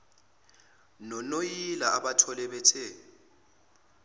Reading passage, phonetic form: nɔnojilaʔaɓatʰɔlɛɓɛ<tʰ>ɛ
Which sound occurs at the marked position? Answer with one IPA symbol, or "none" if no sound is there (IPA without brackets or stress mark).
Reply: tʰ